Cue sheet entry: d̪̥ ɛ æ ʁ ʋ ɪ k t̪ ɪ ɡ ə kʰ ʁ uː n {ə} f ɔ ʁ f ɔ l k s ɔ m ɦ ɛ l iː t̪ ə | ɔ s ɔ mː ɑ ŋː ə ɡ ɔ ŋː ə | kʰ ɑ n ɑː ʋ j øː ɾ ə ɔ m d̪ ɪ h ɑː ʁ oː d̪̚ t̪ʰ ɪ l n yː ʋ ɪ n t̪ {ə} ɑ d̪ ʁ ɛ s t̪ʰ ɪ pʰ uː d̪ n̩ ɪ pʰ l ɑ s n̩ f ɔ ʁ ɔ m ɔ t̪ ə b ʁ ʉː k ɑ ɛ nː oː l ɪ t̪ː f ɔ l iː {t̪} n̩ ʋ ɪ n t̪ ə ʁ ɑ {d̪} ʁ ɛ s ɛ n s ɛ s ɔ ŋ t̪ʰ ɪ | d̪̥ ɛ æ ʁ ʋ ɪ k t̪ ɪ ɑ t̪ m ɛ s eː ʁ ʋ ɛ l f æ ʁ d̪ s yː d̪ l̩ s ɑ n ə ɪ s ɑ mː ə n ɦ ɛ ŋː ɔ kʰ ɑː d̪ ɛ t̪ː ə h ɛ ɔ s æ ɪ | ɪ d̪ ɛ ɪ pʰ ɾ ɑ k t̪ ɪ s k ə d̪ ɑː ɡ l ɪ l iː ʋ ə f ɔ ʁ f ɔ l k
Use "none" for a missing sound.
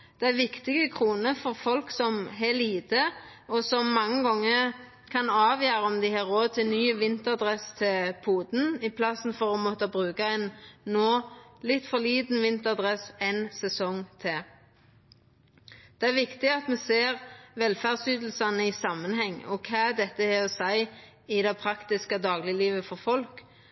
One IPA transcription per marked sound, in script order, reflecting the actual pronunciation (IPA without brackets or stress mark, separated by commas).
ə, ə, d̪, d̪